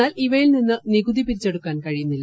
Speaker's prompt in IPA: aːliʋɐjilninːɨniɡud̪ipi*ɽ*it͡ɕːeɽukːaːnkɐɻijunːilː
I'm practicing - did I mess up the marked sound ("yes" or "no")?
yes